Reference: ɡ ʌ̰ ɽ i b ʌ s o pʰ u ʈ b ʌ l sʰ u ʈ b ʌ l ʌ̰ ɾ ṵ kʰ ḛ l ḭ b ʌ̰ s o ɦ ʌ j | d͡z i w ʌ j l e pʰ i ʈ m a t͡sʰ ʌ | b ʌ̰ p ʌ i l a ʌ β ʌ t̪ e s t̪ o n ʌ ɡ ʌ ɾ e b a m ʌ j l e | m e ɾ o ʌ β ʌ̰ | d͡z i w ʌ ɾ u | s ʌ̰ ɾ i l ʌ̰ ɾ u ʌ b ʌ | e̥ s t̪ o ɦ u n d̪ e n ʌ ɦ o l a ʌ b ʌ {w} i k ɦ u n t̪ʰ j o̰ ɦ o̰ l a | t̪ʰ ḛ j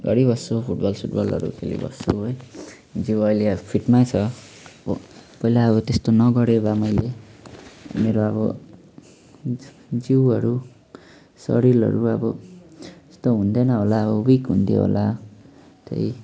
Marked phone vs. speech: correct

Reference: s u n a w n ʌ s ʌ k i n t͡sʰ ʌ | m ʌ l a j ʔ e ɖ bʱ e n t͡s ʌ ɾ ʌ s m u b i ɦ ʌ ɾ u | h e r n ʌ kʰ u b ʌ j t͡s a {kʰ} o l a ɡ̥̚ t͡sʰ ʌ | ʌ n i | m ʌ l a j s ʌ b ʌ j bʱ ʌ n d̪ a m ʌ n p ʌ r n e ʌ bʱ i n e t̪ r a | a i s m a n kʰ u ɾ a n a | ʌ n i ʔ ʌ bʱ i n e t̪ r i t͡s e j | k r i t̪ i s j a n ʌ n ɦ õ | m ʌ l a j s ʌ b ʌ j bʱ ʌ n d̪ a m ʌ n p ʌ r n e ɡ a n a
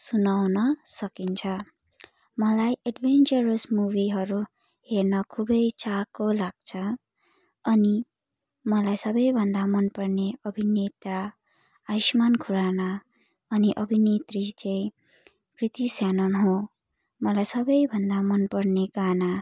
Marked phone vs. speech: incorrect: k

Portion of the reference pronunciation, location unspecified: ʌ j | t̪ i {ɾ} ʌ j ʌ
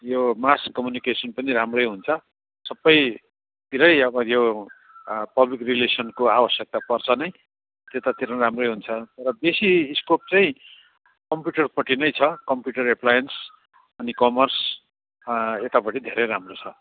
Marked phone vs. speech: correct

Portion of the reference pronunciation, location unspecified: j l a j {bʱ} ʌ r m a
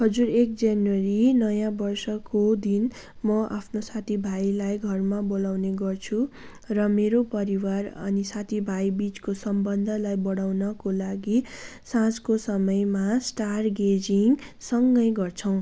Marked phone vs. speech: incorrect: ɡʱ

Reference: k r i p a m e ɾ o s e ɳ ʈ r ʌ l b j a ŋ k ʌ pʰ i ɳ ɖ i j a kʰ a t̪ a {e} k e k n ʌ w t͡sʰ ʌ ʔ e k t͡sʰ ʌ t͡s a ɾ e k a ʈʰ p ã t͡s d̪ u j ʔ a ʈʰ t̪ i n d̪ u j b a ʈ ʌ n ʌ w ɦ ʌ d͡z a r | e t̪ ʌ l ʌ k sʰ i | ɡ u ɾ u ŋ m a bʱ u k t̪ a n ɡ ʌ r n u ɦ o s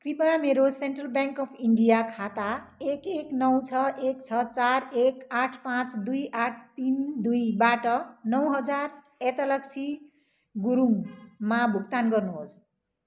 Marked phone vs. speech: correct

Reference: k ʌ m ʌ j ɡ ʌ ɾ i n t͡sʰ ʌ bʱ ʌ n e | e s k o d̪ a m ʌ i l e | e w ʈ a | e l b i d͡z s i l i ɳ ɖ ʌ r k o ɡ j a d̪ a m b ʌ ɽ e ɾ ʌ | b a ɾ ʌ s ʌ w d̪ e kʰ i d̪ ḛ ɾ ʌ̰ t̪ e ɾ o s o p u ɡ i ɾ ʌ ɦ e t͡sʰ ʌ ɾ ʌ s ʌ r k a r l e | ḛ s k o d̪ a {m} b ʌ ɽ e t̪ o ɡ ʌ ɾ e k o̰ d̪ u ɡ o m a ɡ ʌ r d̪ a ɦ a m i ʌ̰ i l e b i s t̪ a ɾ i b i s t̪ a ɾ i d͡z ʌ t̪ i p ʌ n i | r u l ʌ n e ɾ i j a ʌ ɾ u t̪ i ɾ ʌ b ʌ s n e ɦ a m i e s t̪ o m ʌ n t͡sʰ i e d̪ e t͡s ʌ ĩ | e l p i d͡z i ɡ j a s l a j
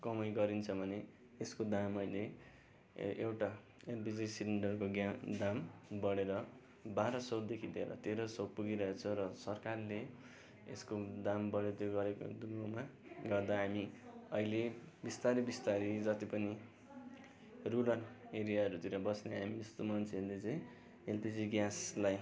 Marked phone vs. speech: correct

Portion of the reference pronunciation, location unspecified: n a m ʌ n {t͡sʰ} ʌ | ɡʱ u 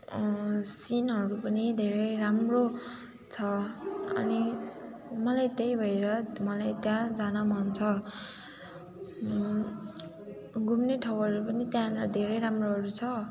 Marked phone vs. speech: correct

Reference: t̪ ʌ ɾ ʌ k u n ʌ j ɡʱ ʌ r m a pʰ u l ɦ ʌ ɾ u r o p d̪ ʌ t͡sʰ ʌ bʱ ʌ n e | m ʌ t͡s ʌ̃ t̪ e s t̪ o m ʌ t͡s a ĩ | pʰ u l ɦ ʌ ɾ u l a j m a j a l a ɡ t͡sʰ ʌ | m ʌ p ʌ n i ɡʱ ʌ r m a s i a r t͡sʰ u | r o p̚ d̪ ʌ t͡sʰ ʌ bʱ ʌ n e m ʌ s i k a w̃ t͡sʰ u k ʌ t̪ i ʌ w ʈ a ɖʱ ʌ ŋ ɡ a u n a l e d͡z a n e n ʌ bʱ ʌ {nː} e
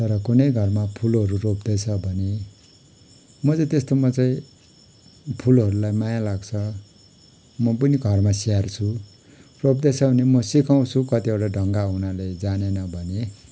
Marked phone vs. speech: incorrect: n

